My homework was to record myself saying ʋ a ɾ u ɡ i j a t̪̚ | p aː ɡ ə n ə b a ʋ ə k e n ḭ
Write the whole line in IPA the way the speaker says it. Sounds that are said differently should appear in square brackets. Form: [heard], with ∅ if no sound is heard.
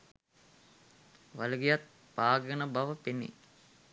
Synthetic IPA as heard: ʋ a [l] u ɡ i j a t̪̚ | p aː ɡ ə n ə b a ʋ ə [p] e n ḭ